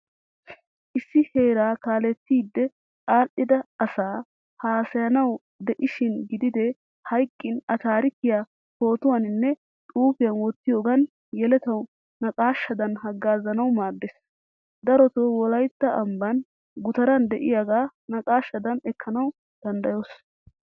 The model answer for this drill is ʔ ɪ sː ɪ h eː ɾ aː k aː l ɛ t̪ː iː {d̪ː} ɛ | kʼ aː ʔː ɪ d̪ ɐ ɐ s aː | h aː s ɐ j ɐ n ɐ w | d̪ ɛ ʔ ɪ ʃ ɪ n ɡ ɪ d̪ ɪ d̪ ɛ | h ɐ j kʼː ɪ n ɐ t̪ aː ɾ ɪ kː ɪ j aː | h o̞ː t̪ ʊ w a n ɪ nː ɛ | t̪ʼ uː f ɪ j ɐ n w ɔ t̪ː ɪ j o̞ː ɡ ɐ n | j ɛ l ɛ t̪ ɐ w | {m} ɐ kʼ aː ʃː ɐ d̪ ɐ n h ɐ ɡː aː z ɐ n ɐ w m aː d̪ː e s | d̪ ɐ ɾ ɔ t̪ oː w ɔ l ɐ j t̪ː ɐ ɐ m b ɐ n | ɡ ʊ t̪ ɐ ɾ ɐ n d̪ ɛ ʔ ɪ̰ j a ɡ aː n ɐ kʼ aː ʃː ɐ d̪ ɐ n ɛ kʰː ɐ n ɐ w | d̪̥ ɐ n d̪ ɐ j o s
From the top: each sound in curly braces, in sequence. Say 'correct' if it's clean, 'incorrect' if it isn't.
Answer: correct, incorrect: n

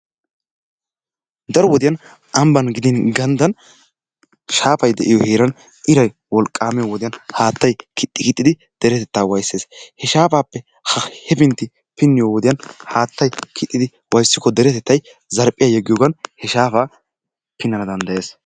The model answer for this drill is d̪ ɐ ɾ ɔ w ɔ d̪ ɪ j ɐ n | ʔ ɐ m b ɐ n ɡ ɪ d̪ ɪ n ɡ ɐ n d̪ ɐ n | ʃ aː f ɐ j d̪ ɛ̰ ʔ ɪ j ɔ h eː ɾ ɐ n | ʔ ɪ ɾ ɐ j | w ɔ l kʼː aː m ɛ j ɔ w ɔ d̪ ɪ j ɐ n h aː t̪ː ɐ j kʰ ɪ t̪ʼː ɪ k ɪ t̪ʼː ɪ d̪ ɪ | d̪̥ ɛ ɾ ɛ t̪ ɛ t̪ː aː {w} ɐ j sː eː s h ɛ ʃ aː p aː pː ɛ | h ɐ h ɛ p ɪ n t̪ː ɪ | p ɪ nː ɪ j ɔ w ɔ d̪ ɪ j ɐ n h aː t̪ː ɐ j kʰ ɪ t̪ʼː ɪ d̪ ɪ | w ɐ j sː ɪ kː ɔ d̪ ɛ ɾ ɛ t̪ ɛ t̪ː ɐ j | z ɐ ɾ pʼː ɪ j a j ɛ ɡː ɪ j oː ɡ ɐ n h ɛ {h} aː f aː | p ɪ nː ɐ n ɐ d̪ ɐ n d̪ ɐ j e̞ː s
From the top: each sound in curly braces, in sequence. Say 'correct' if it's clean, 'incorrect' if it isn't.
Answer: correct, incorrect: ʃ

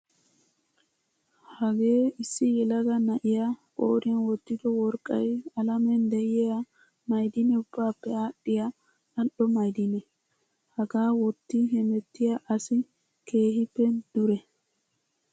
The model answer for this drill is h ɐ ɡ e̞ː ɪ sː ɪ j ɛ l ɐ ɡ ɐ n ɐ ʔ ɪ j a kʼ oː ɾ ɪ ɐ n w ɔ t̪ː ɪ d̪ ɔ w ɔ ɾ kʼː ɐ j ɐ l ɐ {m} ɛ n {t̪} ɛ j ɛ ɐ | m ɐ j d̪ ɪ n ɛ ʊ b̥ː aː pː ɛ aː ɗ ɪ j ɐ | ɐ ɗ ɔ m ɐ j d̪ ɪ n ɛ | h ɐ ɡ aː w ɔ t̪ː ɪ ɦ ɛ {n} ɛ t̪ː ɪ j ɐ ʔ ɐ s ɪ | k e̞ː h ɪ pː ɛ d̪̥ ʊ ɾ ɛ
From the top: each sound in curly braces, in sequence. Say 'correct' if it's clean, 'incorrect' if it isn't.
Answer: correct, incorrect: d̪, incorrect: m

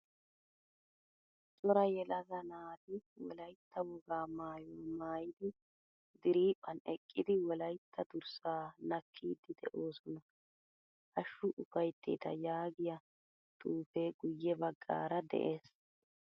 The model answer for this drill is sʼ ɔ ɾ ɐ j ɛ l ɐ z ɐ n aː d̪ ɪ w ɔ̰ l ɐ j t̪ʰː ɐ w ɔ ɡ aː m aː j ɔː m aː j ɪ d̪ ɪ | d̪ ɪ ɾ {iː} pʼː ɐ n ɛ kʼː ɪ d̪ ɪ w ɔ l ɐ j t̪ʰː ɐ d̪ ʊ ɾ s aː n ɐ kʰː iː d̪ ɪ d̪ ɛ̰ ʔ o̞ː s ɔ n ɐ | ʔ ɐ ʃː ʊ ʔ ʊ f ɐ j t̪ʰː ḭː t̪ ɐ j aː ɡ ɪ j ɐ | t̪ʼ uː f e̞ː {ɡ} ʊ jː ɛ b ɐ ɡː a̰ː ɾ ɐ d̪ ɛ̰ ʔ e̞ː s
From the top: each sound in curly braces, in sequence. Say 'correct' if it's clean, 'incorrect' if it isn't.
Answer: correct, correct

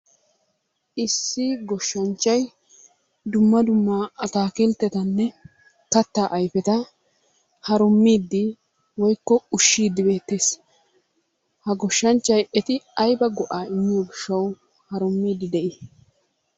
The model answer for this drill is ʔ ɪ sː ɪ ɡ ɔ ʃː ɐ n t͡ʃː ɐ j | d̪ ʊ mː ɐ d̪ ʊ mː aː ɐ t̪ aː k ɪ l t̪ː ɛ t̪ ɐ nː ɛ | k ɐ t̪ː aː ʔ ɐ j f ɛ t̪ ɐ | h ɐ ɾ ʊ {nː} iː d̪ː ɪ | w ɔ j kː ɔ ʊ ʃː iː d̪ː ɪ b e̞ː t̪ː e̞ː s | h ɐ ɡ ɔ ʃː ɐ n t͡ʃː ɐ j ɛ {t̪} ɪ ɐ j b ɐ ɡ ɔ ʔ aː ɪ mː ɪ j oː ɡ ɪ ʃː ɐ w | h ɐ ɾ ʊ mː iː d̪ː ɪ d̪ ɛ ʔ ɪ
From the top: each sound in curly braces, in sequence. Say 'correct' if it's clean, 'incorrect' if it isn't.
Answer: incorrect: mː, correct

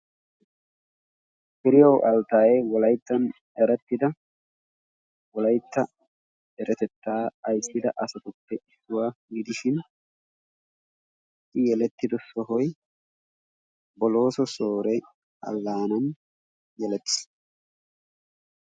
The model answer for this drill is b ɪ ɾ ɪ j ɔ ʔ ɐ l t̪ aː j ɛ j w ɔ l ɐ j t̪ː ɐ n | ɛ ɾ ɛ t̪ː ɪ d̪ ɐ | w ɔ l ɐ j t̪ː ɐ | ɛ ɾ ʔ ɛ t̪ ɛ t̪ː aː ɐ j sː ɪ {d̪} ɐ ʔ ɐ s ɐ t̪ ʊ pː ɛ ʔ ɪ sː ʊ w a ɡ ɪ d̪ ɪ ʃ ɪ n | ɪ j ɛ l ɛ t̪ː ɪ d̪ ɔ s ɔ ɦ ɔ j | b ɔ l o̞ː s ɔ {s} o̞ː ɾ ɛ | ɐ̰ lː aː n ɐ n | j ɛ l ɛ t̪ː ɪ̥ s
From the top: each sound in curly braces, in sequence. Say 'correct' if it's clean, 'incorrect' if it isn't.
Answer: correct, correct

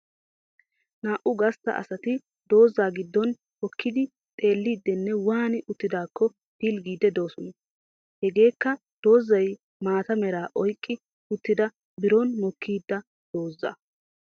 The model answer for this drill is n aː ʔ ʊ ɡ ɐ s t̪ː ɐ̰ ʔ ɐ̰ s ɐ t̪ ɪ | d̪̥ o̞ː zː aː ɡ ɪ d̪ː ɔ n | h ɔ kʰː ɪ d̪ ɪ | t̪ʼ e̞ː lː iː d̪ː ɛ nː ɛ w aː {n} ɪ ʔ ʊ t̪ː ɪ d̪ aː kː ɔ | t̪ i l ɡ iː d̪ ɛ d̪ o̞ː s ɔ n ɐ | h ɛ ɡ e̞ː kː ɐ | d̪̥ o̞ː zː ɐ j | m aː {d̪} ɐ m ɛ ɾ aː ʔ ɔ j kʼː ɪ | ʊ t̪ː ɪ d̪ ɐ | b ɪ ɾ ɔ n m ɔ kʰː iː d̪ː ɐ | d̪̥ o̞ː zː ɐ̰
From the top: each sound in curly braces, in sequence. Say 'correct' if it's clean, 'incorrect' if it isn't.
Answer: correct, incorrect: t̪

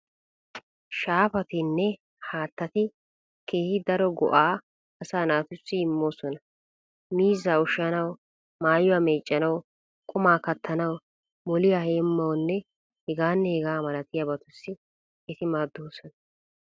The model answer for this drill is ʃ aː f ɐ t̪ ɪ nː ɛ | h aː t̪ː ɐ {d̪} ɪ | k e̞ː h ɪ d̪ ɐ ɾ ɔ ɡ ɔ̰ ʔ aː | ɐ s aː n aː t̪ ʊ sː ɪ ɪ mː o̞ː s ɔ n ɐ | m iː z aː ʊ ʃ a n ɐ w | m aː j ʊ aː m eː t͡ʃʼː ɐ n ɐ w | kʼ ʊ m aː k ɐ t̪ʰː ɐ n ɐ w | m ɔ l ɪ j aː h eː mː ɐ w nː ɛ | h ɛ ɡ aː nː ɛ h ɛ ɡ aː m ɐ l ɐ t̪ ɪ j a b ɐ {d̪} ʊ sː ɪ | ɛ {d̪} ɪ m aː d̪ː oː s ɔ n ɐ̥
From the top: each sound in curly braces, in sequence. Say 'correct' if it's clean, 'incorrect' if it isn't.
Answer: incorrect: t̪, incorrect: t̪, incorrect: t̪

